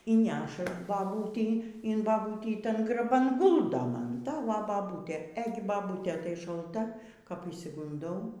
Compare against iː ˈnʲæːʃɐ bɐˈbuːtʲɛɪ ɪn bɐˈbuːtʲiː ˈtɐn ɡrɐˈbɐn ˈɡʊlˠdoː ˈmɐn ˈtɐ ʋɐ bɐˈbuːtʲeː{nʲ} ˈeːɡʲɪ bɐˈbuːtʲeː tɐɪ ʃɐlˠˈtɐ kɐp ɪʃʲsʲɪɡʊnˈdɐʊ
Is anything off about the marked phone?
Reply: yes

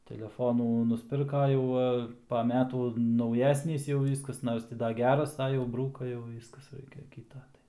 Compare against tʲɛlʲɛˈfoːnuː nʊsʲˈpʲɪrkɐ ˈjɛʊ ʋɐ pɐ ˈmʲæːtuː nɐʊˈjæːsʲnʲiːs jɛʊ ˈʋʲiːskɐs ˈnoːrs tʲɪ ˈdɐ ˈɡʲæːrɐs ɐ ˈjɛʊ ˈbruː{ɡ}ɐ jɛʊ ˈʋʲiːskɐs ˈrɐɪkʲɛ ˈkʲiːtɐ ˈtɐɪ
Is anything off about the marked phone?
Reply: yes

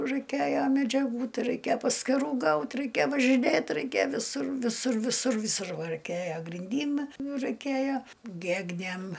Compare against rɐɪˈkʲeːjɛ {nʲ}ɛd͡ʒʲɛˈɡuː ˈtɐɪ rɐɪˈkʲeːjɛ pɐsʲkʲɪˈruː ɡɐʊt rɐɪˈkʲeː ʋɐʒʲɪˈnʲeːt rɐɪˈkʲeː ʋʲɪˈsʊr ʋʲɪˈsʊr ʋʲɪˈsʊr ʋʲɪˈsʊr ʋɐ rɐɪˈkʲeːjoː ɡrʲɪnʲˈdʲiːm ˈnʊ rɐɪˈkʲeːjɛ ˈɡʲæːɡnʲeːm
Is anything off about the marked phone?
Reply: yes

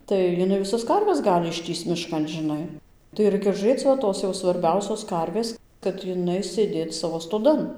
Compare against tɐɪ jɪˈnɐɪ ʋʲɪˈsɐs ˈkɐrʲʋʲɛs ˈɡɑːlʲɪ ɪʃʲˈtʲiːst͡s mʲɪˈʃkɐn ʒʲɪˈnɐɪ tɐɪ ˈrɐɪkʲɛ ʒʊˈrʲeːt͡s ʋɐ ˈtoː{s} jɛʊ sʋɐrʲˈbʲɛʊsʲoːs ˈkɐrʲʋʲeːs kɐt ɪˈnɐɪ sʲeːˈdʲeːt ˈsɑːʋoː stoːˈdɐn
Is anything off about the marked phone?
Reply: no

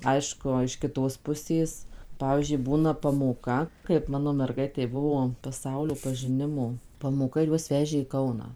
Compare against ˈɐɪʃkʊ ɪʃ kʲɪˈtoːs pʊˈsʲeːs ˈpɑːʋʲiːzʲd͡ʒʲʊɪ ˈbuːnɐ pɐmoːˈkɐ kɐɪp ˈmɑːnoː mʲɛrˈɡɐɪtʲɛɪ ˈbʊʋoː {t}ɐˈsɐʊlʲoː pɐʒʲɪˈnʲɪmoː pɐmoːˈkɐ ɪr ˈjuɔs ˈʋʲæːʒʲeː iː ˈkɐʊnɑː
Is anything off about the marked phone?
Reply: yes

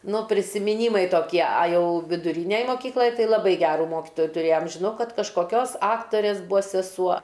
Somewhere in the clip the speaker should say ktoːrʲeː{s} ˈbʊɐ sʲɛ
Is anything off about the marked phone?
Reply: no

